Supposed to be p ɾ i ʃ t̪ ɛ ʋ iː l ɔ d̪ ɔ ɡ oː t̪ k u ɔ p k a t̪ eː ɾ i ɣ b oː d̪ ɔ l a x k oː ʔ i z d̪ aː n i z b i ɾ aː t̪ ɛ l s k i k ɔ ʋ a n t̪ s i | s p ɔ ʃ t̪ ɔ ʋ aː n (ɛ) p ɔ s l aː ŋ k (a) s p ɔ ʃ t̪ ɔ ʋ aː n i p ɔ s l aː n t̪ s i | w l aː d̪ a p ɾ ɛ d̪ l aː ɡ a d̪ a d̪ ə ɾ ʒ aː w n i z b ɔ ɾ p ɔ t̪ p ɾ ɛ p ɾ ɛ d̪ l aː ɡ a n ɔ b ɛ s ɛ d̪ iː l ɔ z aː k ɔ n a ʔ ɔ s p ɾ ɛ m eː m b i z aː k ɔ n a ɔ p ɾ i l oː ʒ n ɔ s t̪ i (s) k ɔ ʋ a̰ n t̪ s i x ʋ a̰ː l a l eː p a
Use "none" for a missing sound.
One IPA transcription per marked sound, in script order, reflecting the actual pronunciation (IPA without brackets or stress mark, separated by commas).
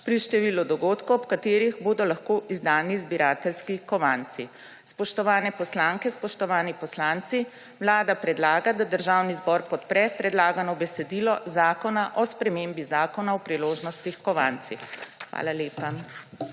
ɛ, ɛ, x